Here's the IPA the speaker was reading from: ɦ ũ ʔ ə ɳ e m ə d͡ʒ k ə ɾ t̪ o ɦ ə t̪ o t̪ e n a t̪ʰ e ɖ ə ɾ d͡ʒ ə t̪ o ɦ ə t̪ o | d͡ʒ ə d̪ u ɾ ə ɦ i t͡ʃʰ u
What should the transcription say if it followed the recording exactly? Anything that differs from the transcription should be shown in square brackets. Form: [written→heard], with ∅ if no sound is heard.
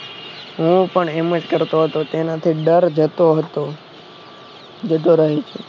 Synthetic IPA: ɦ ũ [ʔ→p] ə ɳ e m ə d͡ʒ k ə ɾ t̪ o ɦ ə t̪ o t̪ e n a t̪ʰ [e→i] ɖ ə ɾ d͡ʒ ə t̪ o ɦ ə t̪ o | d͡ʒ ə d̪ [u→o] ɾ ə ɦ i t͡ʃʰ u